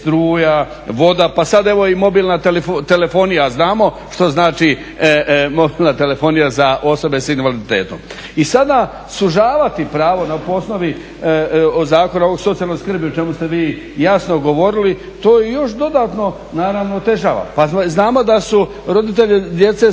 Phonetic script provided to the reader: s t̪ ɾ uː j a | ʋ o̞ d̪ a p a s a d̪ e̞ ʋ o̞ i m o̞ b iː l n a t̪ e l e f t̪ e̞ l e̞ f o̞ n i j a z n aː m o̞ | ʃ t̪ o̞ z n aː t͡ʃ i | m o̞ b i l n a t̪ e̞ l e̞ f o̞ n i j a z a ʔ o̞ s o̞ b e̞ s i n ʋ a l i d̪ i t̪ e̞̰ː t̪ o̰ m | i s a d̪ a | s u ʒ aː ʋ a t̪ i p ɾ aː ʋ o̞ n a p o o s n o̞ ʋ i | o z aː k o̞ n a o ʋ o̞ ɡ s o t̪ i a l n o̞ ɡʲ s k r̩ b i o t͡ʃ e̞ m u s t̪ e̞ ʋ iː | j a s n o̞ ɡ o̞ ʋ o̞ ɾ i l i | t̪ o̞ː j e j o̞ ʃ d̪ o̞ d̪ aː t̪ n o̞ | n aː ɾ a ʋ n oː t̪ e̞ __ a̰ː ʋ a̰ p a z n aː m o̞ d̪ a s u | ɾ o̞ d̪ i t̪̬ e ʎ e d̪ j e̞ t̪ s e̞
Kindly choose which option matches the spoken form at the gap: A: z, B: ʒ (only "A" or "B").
B